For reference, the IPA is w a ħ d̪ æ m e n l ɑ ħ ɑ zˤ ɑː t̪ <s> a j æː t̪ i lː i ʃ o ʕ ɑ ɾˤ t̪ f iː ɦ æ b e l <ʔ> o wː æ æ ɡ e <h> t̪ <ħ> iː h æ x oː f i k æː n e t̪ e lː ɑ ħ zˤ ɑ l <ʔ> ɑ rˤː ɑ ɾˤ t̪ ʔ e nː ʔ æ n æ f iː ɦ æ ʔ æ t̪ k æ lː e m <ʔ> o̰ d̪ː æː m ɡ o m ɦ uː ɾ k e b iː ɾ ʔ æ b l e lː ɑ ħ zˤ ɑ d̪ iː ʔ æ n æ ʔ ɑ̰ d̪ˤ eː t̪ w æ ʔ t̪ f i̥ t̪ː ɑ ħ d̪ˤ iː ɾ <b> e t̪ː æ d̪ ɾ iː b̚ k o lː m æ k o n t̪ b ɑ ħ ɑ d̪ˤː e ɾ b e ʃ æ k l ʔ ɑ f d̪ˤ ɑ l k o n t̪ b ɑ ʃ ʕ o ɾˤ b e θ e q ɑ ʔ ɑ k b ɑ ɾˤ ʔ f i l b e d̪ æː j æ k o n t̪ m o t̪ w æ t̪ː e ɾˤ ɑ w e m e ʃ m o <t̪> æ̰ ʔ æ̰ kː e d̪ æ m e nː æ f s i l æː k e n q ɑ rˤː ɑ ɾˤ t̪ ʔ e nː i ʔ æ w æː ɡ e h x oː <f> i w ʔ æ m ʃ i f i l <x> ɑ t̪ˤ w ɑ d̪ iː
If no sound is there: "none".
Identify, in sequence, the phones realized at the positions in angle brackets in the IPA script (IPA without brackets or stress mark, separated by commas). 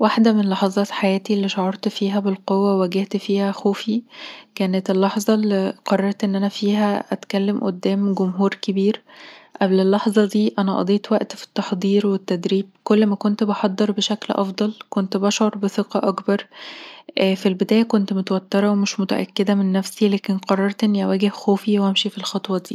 ħ, q, h, f, q, ʔ, w, t̪, f, x